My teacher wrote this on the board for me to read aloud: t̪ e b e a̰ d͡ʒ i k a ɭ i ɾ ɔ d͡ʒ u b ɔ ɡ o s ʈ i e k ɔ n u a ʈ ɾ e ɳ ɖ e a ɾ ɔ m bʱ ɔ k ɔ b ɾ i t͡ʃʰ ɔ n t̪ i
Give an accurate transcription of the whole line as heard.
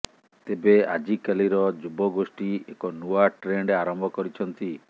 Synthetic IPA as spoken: t̪ e b e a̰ d͡ʒ i k a l i ɾ ɔ d͡ʒ u b ɔ ɡ o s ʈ i e k ɔ n u a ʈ ɾ e ɳ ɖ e a ɾ ɔ m bʱ ɔ k ɔ ɾ i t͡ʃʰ ɔ n t̪ i